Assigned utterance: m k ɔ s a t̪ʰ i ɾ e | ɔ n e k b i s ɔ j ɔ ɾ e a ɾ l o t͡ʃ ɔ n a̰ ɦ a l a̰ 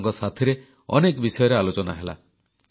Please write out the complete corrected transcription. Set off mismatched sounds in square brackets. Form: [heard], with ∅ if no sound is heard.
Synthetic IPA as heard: [ŋ] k ɔ s a t̪ʰ i ɾ e | ɔ n e k b i s ɔ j ɔ ɾ e a [∅] l o t͡ʃ ɔ n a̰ ɦ [e] l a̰